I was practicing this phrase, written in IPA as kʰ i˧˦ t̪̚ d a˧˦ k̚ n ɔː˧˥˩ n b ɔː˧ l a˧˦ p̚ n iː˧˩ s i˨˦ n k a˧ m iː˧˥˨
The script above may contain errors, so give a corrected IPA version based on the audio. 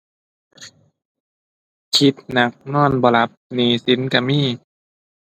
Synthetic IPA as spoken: kʰ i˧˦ t̪̚ n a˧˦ k̚ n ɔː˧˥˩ n b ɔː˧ l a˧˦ p̚ n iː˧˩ s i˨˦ n k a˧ m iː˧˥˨